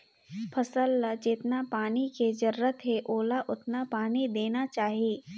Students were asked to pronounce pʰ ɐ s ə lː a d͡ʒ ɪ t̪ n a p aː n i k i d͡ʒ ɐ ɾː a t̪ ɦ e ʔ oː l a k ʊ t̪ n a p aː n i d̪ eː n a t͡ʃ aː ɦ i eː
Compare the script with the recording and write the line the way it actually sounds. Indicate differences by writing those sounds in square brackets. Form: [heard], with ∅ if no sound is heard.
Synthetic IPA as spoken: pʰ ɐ s ə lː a d͡ʒ ɪ t̪ n a p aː n i k [e] d͡ʒ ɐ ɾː [ə] t̪ ɦ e ʔ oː l a [ʔ] ʊ t̪ n a p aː n i d̪ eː n a t͡ʃ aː ɦ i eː